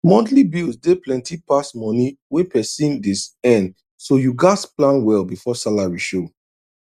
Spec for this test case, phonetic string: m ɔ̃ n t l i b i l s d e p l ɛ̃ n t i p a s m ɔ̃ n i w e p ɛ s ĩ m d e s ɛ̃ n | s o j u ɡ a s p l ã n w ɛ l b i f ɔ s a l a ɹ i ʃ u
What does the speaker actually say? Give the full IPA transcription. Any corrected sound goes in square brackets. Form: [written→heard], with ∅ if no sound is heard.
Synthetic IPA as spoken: m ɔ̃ n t l i b i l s d e p l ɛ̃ n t i p a s m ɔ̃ n i w e p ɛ s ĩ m d [e→i] s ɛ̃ n | s o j u ɡ a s p l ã n w ɛ l b i f ɔ s a l a ɹ i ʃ [u→o]